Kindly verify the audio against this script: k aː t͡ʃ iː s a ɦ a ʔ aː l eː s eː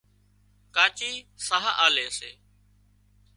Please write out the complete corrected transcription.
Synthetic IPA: k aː t͡ʃ iː s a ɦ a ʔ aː l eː s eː